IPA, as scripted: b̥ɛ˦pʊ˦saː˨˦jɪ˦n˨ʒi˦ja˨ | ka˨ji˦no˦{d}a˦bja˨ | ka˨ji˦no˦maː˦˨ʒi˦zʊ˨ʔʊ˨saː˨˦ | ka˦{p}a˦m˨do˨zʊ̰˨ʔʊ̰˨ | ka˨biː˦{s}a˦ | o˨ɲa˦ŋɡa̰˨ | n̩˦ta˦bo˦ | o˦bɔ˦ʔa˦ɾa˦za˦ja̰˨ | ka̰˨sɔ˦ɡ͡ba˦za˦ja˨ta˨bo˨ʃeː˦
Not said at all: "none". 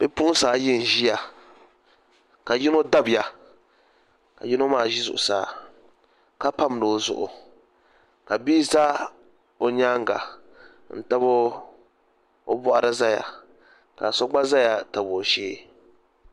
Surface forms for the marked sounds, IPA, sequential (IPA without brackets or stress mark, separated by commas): d, p, z